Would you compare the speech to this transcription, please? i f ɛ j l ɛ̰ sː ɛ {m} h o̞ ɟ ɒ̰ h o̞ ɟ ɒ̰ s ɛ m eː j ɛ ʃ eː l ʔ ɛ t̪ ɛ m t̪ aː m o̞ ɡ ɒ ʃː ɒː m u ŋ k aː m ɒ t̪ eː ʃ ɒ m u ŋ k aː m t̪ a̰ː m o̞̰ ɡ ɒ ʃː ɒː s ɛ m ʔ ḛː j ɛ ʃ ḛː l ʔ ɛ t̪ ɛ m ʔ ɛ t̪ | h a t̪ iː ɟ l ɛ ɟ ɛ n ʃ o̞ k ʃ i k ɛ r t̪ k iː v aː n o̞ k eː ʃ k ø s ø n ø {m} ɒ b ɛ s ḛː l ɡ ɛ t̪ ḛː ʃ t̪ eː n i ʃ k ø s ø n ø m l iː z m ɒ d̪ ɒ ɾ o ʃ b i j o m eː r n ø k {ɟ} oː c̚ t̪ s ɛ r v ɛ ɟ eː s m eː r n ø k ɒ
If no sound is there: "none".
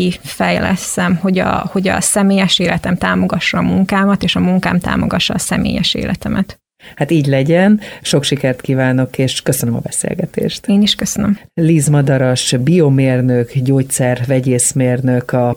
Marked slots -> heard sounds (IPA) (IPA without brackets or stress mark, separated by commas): m, m, ɟ